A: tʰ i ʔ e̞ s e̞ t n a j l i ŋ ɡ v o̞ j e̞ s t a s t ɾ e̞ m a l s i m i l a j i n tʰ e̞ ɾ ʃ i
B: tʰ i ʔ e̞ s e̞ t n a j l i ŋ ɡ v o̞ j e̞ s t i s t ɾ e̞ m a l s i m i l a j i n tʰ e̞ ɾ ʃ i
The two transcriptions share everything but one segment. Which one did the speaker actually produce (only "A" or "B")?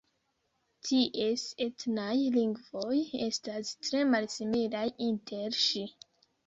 A